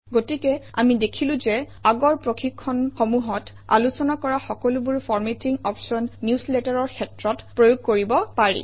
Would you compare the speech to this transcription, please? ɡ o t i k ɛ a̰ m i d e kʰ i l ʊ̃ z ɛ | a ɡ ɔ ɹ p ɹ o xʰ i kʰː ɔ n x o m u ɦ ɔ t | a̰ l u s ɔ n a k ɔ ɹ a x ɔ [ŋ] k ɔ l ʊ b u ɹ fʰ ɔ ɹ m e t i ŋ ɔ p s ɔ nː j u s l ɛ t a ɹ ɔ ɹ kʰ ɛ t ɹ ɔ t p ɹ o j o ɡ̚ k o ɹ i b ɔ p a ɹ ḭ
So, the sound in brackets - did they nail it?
no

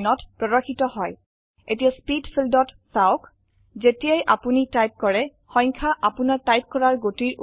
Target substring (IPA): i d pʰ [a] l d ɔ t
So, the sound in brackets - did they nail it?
no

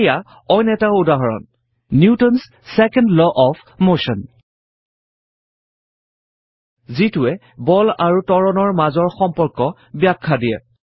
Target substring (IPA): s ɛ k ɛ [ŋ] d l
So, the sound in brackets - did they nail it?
no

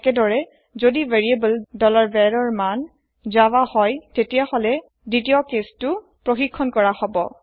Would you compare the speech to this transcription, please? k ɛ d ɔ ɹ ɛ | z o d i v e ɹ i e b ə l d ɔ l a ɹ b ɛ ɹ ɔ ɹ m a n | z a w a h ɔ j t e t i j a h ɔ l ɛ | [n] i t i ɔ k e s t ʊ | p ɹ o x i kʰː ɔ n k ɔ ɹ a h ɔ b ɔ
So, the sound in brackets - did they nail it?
no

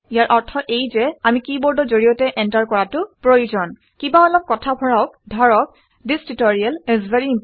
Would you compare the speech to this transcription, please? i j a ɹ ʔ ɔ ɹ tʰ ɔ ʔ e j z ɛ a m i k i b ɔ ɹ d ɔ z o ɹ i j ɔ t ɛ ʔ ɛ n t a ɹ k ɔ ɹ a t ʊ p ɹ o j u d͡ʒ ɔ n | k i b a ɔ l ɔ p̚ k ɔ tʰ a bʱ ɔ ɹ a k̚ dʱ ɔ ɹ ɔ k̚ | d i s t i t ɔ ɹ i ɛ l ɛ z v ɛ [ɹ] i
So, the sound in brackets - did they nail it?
yes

